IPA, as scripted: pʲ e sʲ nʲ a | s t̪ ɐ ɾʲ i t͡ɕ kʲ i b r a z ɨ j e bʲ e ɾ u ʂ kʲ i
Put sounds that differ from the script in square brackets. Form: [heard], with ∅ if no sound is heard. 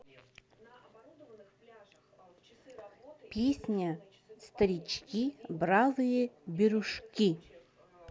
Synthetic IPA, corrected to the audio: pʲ e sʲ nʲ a | s t̪ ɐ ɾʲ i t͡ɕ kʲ i b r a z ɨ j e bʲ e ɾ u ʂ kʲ i